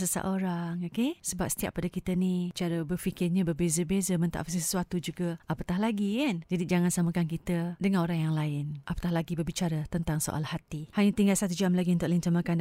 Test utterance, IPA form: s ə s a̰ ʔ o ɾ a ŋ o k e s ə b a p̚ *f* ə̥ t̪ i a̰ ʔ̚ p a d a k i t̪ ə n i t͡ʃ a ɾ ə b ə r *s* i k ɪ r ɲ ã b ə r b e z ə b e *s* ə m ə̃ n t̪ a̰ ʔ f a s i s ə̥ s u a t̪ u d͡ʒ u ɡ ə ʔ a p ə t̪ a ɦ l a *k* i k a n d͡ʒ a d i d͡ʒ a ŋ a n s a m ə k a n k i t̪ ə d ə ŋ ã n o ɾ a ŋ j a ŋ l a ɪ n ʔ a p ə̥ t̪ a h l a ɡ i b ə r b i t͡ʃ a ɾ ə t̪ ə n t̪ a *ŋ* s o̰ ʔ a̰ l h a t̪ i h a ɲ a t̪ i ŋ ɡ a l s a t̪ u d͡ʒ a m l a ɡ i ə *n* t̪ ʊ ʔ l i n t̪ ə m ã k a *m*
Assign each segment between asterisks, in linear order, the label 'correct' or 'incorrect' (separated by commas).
incorrect, incorrect, incorrect, incorrect, correct, correct, incorrect